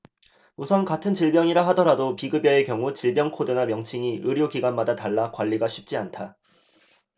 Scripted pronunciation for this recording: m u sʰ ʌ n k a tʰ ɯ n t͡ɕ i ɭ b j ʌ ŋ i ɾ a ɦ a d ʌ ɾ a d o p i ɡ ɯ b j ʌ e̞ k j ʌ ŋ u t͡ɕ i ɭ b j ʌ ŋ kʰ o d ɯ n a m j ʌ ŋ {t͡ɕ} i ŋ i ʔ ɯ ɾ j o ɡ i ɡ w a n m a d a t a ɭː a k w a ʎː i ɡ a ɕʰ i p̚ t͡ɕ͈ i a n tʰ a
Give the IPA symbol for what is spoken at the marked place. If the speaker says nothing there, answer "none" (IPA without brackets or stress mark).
t͡ɕʰ